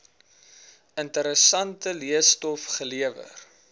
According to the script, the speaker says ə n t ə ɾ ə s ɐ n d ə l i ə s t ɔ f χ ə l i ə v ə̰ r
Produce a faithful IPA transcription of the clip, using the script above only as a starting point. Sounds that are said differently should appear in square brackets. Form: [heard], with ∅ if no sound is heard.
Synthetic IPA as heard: ə n t ə ɾ ə s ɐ n [t] ə l i ə s t ɔ f χ ə l i ə v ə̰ r